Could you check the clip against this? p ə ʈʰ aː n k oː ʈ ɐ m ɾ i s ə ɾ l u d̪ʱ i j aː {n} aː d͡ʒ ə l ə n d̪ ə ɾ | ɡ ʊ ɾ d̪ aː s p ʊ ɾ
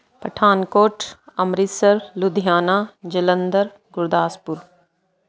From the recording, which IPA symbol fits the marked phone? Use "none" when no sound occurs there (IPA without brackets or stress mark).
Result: n